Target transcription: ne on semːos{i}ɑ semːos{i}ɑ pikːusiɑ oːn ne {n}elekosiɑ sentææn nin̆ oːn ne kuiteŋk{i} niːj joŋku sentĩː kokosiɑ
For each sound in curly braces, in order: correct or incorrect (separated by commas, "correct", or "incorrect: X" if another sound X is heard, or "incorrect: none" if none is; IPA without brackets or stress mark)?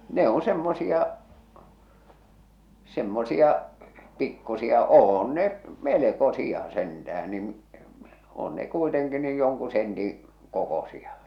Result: correct, correct, incorrect: m, correct